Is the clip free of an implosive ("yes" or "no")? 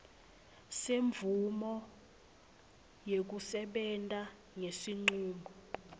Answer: no